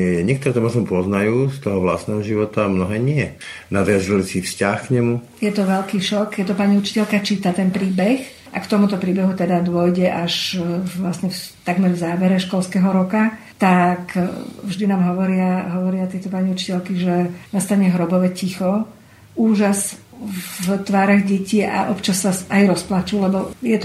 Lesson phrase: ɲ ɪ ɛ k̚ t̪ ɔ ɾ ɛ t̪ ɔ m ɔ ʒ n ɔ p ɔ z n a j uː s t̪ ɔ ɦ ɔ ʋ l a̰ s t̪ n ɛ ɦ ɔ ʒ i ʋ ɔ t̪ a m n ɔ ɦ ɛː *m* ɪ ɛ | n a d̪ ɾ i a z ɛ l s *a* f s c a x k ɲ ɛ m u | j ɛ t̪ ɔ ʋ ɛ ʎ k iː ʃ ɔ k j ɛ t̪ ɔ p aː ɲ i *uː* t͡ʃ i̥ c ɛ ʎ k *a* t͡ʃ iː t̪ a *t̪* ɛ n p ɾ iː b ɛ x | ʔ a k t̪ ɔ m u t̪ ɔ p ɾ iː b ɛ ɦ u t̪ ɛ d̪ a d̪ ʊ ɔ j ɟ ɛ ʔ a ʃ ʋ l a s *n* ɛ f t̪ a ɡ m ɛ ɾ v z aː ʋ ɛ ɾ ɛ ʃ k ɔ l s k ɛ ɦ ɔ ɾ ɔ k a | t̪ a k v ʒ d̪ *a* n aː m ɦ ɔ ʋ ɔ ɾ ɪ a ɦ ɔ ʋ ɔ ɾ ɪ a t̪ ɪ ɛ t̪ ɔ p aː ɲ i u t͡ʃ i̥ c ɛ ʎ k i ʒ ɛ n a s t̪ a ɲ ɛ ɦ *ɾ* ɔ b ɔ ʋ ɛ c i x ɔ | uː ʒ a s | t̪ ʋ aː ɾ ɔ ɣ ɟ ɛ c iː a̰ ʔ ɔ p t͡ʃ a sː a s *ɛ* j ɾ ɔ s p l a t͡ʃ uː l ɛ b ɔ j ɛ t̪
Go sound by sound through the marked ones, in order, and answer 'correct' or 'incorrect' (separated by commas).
incorrect, incorrect, incorrect, correct, correct, incorrect, incorrect, correct, incorrect